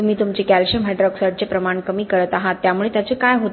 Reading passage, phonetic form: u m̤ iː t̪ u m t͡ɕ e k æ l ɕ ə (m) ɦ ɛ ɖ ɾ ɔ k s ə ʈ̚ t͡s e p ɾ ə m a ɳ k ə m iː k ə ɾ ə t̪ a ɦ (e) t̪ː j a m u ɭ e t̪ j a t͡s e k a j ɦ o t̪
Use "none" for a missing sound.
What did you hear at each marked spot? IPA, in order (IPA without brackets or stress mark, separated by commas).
m, a